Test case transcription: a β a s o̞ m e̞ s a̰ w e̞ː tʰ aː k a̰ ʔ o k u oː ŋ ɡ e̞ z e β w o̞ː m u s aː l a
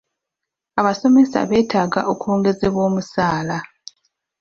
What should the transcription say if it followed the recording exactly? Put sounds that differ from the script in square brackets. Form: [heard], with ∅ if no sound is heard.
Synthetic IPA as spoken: a β a s o̞ m e̞ s a̰ [β] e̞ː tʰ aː [ɡ] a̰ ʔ o k u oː ŋ ɡ e̞ z e β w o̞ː m u s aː l a